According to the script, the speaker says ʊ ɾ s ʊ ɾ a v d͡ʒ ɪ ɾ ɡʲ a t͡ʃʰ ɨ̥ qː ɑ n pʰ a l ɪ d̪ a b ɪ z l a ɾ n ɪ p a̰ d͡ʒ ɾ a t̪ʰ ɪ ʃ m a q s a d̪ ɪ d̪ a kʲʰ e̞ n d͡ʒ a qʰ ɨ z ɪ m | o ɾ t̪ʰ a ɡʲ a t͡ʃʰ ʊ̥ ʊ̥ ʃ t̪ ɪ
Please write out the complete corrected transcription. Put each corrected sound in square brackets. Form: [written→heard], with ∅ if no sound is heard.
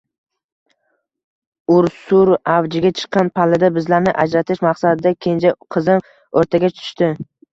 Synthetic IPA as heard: ʊ ɾ s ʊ ɾ a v d͡ʒ ɪ [ɾ→∅] ɡʲ a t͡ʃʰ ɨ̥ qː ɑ n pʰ a l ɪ d̪ a b ɪ z l a ɾ n ɪ [p→ʔ] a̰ d͡ʒ ɾ a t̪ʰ ɪ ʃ m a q s a d̪ ɪ d̪ a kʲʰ e̞ n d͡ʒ a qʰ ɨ z ɪ m | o ɾ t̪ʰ a ɡʲ a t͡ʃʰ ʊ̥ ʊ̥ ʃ t̪ ɪ

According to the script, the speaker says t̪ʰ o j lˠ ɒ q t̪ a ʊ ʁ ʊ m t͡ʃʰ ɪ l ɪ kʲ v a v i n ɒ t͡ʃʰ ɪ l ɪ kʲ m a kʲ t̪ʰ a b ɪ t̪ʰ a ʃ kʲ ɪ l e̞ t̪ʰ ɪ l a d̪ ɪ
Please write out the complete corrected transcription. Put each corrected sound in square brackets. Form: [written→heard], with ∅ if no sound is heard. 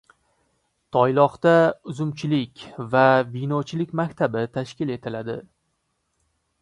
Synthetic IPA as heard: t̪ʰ [o→ɒ] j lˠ ɒ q t̪ a ʊ [ʁ→z] ʊ m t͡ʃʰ ɪ l ɪ kʲ v a v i n ɒ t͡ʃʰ ɪ l ɪ kʲ m a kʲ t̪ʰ a b ɪ t̪ʰ a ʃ kʲ ɪ l e̞ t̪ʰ ɪ l a d̪ ɪ

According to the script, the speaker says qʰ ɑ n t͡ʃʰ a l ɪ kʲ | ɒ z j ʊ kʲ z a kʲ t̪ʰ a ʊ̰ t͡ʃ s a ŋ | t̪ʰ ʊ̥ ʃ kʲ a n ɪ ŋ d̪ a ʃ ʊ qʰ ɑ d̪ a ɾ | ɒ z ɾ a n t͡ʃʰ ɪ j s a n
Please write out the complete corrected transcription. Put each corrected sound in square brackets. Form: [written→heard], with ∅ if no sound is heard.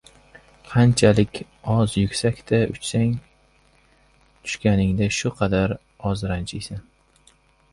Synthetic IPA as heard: qʰ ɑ n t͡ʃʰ a l ɪ kʲ | ɒ z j ʊ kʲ [z→s] a kʲ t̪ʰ a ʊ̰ t͡ʃ s a ŋ | t̪ʰ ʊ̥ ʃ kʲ a n ɪ ŋ d̪ a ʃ ʊ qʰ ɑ d̪ a ɾ | ɒ z ɾ a n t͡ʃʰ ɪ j s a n

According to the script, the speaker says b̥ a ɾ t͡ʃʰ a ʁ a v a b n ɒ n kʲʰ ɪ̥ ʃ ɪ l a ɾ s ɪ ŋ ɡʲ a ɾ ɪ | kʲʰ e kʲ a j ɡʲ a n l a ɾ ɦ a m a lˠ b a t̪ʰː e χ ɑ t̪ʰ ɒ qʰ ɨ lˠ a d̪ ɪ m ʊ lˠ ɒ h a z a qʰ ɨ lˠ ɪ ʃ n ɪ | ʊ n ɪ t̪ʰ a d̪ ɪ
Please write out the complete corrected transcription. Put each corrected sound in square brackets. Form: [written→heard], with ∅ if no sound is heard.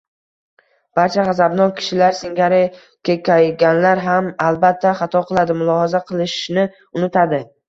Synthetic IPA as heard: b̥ a ɾ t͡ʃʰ a ʁ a [v→z] a b n ɒ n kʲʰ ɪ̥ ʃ ɪ l a ɾ s ɪ ŋ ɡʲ a ɾ ɪ | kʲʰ e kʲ a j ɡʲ a n l a ɾ ɦ a m a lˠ b a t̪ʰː [e→a] χ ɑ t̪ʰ ɒ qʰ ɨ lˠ a d̪ ɪ m ʊ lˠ ɒ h a z a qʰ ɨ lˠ ɪ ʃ n ɪ | ʊ n ɪ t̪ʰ a d̪ ɪ

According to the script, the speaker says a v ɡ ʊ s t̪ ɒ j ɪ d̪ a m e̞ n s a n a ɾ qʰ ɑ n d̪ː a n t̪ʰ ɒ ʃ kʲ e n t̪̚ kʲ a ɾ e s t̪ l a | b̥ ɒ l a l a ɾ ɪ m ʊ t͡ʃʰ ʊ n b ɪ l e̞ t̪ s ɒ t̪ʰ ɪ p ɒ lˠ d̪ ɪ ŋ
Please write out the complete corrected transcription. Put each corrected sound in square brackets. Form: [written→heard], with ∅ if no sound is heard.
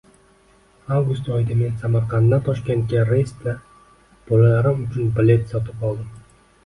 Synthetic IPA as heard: a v ɡ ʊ s t̪ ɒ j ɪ d̪ a m e̞ n s a [n→m] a ɾ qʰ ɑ n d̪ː a n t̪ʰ ɒ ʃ kʲ e n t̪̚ kʲ a ɾ e s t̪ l a | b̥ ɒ l a l a ɾ ɪ m ʊ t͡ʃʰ ʊ n b ɪ l e̞ t̪ s ɒ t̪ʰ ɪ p ɒ lˠ d̪ ɪ [ŋ→m]

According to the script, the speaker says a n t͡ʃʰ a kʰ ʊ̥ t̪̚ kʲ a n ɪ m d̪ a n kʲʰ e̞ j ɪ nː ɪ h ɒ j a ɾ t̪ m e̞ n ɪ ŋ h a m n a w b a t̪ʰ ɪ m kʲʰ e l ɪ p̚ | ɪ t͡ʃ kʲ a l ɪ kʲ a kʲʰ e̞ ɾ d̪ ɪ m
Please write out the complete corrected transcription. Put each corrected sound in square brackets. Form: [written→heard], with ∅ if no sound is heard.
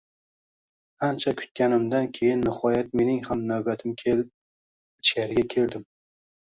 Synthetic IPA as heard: a n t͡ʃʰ a kʰ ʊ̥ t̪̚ kʲ a n ɪ m d̪ a n kʲʰ e̞ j ɪ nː ɪ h ɒ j a [ɾ→∅] t̪ m e̞ n ɪ ŋ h a m n a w b a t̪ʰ ɪ m kʲʰ e l ɪ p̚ | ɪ t͡ʃ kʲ a [l→ɾ] ɪ [kʲ→ɡʲ] a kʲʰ e̞ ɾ d̪ ɪ m

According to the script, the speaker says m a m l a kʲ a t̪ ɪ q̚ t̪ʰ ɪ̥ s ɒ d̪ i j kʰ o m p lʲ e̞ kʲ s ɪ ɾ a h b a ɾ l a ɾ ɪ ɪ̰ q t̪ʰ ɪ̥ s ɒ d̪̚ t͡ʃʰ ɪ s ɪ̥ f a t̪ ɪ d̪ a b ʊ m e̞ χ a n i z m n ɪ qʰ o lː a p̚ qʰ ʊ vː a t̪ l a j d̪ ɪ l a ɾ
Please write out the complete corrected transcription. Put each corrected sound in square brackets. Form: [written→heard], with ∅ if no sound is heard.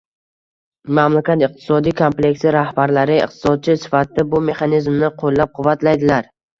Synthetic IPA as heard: m a m l a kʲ a t̪ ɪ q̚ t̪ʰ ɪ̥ s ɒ d̪ i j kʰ o m p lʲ e̞ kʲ s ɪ ɾ a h b a ɾ l a ɾ ɪ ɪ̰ q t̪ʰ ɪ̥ s ɒ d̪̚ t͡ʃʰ ɪ s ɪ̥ f a t̪ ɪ d̪ a b ʊ m e̞ χ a n i z m n ɪ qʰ o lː a p̚ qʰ ʊ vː a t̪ l a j d̪ ɪ l a ɾ

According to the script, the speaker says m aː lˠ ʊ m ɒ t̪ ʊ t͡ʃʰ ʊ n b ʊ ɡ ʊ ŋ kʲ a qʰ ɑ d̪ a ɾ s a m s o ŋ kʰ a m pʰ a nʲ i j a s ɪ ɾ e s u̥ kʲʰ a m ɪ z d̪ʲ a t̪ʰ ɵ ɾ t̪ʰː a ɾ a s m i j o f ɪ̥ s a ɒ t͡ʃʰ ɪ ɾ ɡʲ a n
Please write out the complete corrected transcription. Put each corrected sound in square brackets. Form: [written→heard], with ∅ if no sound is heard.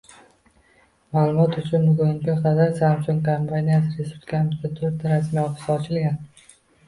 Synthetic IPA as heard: m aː lˠ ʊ m ɒ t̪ ʊ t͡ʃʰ ʊ n b ʊ ɡ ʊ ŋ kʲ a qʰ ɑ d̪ a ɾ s a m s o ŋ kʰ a m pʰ a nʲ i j a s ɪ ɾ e s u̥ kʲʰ a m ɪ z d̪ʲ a t̪ʰ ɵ ɾ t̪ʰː a ɾ a s m i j [o→ɒ] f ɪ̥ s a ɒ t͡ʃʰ ɪ [ɾ→l] ɡʲ a n

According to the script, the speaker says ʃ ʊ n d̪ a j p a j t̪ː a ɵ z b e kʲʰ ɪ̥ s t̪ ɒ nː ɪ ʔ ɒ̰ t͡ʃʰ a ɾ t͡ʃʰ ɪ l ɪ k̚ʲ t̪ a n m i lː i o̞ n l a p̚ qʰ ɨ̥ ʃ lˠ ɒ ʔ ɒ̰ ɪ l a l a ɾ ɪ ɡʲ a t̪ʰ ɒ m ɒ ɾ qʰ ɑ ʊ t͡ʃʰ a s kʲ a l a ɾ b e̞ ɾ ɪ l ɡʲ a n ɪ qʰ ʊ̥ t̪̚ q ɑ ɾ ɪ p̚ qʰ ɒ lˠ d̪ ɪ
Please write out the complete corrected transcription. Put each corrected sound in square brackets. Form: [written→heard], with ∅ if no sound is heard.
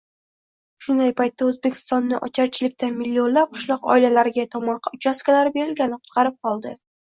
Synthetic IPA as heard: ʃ ʊ n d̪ a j p a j t̪ː a ɵ z b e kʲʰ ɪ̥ s t̪ ɒ nː ɪ ʔ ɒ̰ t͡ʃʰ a ɾ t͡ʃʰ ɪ l ɪ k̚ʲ t̪ a n m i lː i o̞ n l a p̚ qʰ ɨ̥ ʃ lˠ ɒ [ʔ→q] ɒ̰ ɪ l a l a ɾ ɪ ɡʲ a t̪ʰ ɒ m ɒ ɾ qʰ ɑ ʊ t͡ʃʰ a s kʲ a l a ɾ b e̞ ɾ ɪ l ɡʲ a n ɪ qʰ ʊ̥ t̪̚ q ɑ ɾ ɪ p̚ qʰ ɒ lˠ d̪ ɪ

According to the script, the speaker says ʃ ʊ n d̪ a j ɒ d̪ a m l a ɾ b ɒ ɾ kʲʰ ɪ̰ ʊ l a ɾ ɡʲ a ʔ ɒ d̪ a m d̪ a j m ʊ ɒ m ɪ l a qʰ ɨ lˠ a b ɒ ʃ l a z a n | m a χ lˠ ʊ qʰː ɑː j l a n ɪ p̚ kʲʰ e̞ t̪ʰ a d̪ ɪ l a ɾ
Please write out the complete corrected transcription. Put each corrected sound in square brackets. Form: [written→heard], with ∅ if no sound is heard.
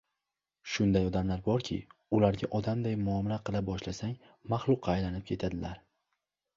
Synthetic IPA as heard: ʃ ʊ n d̪ a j ɒ d̪ a m l a ɾ b ɒ ɾ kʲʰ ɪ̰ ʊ l a ɾ ɡʲ a ʔ ɒ d̪ a m d̪ a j m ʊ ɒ m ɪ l a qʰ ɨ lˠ a b ɒ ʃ l a [z→s] a [n→ŋ] | m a χ lˠ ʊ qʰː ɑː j l a n ɪ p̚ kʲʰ e̞ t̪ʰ a d̪ ɪ l a ɾ

